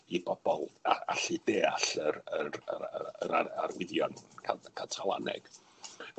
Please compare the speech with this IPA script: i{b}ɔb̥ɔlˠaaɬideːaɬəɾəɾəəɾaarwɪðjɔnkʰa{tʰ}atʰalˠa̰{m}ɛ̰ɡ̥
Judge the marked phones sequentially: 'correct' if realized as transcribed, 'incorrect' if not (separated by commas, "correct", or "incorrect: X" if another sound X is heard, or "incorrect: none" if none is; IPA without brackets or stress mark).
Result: correct, incorrect: kʰ, incorrect: n